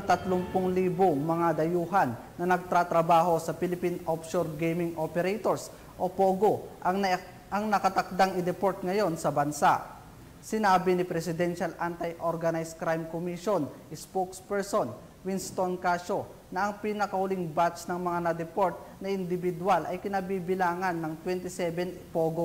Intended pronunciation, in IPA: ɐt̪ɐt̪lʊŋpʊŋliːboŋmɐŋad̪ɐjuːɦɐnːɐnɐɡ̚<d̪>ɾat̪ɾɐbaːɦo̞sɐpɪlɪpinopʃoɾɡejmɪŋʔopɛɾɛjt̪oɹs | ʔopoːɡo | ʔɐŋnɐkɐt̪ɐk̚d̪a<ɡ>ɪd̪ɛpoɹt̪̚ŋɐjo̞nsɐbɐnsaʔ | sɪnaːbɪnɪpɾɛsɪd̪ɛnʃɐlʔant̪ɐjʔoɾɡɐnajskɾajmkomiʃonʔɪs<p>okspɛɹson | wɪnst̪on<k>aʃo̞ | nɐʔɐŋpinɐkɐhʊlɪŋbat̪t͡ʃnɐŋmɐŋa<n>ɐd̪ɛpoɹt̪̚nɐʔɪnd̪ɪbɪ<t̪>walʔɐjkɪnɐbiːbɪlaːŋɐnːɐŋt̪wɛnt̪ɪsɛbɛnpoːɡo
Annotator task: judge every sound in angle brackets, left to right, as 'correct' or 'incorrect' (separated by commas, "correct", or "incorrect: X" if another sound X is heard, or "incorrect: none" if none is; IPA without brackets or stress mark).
incorrect: t̪, incorrect: ŋ, correct, correct, correct, incorrect: d̪